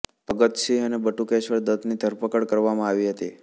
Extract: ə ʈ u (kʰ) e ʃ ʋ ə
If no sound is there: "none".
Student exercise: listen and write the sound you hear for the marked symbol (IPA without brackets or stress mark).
k